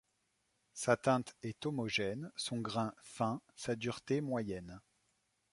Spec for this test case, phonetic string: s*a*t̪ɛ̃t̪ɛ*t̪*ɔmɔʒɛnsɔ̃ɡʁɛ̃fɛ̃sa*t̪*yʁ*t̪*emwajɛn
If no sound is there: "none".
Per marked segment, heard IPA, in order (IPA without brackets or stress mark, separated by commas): a, t̪, d̪, t̪